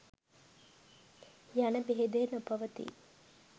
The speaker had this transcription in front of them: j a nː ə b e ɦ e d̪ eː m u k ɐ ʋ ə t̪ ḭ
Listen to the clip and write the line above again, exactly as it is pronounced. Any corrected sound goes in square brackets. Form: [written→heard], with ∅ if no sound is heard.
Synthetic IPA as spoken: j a [nː→n] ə b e ɦ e d̪ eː [m→n] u [k→p] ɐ ʋ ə t̪ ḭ